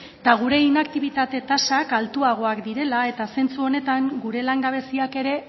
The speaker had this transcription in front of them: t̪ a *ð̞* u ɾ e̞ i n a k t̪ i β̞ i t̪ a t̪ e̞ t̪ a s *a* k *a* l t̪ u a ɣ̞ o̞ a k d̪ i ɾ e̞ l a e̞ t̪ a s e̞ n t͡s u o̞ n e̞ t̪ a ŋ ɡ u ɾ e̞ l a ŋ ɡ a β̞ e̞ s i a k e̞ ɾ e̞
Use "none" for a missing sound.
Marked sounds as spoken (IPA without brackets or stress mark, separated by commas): ɣ̞, a, a